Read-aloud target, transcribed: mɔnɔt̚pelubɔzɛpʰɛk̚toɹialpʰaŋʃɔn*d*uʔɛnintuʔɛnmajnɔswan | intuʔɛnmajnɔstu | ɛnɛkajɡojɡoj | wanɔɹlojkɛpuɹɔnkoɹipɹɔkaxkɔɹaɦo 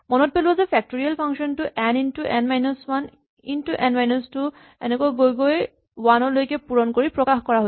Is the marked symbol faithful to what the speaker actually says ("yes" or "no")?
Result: no